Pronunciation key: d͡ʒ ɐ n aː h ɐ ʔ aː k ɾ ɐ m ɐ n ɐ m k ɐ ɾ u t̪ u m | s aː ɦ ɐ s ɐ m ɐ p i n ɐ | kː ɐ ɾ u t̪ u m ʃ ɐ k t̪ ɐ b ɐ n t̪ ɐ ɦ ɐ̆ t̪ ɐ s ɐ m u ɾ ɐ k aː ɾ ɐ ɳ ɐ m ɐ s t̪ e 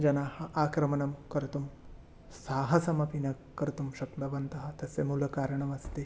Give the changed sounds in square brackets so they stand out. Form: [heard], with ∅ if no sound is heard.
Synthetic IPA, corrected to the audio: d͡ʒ ɐ n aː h ɐ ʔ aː k ɾ ɐ m ɐ n ɐ m k ɐ ɾ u t̪ u m | s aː ɦ ɐ s ɐ m ɐ p i n ɐ | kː ɐ ɾ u t̪ u m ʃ ɐ k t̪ ɐ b ɐ n t̪ ɐ ɦ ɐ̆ t̪ ɐ s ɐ m u [l] ɐ k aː ɾ ɐ ɳ ɐ m ɐ s t̪ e